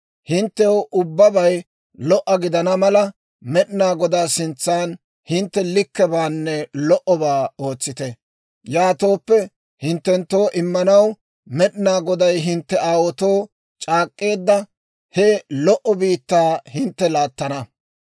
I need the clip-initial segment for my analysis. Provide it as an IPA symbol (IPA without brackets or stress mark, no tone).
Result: h